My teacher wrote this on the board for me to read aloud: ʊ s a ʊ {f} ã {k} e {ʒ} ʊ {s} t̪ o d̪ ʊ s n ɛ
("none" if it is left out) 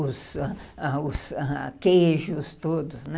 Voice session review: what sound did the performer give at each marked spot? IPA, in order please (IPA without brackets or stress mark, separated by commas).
s, k, ʒ, s